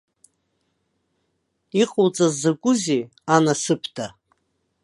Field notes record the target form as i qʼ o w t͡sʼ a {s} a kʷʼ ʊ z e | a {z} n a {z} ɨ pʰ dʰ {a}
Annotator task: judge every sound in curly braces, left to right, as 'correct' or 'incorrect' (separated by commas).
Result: incorrect, incorrect, incorrect, correct